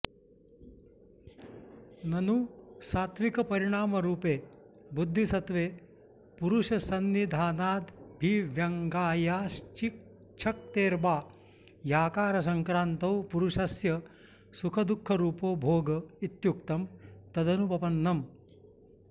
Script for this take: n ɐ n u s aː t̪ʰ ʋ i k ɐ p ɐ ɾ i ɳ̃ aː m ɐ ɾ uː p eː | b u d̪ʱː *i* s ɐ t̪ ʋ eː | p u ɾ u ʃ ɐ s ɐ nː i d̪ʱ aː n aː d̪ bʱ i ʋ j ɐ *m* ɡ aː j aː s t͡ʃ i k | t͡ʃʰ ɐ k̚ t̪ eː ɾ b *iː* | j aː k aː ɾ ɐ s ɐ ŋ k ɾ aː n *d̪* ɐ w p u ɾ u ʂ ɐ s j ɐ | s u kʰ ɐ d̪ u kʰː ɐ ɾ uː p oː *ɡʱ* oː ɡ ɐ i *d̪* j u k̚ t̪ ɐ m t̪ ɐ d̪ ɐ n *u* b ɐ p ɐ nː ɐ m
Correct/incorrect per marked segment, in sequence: correct, incorrect: ŋ, incorrect: aː, incorrect: t̪, incorrect: bʱ, incorrect: t̪, correct

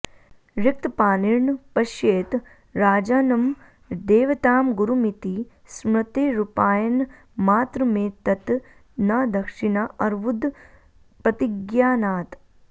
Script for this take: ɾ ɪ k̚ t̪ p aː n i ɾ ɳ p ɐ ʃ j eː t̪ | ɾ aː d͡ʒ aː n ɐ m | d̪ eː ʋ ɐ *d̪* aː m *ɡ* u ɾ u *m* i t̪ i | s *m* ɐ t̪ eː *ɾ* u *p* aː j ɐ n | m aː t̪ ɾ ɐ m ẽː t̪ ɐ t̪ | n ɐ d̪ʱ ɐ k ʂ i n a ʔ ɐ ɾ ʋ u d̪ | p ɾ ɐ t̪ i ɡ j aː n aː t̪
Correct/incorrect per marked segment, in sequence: incorrect: t̪, correct, correct, correct, correct, correct

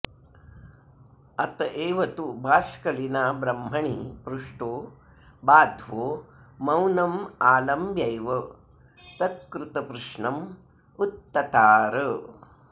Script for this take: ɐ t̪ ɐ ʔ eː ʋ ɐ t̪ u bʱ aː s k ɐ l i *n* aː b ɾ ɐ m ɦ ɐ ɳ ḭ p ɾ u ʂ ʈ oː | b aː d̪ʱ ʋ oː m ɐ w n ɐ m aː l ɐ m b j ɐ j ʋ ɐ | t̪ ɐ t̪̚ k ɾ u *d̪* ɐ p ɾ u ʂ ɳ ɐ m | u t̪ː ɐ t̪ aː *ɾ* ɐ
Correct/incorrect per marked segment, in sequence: correct, incorrect: t̪, correct

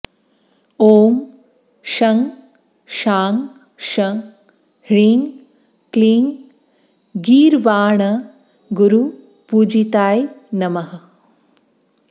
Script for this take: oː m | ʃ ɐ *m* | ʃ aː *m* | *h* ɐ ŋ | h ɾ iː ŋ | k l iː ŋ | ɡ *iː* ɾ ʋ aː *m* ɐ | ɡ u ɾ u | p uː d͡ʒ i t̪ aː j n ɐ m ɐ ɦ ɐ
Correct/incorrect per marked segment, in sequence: incorrect: ŋ, incorrect: ŋ, incorrect: ʃ, correct, incorrect: ɳ

